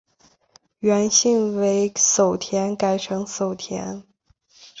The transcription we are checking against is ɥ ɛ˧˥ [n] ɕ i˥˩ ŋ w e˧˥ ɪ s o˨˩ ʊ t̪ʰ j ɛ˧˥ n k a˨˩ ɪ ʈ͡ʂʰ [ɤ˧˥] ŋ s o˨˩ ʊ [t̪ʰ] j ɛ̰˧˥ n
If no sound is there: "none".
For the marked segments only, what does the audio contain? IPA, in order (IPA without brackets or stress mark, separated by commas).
n, ɤ˧˥, t̪ʰ